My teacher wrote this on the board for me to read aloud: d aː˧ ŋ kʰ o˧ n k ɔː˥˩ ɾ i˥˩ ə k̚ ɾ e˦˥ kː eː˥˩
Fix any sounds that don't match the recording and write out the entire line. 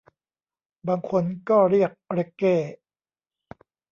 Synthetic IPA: b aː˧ ŋ kʰ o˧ n k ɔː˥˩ ɾ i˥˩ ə k̚ ɾ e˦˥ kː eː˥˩